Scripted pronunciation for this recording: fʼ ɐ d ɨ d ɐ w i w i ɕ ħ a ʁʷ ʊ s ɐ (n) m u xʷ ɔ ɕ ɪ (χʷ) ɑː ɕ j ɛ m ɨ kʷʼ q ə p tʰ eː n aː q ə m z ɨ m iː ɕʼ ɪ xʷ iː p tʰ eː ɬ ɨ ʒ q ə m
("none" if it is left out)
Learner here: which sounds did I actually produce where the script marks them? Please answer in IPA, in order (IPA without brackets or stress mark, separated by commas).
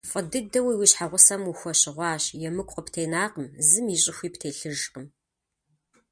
none, ʁʷ